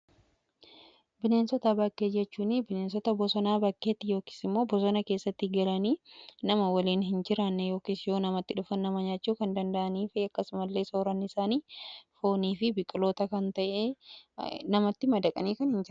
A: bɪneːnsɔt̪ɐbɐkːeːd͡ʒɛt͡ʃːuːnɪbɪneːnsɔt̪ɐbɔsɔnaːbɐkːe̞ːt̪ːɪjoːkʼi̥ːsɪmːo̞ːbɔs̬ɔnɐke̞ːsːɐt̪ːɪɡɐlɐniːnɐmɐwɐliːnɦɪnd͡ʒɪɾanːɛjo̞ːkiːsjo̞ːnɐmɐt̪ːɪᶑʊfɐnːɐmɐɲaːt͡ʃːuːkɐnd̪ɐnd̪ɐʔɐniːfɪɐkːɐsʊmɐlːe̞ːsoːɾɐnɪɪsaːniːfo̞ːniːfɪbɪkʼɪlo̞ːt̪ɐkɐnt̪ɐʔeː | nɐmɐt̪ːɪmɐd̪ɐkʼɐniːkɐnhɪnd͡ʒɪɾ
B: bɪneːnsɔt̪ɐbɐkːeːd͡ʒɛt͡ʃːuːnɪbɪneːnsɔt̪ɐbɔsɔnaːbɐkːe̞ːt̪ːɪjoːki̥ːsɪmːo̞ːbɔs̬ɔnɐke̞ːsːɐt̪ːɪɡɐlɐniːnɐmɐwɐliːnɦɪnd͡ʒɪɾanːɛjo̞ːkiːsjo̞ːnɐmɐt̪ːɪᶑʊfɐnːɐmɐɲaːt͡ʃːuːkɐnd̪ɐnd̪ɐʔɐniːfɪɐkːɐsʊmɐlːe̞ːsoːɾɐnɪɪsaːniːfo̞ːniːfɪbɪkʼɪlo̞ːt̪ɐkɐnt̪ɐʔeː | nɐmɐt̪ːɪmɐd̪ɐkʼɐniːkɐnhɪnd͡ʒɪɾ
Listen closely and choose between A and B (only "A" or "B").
B